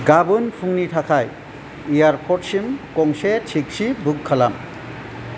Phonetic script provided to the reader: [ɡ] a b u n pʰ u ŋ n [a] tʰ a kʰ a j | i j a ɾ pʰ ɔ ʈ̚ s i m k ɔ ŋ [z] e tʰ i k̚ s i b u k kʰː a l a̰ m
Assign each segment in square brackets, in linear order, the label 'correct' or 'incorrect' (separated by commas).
correct, incorrect, incorrect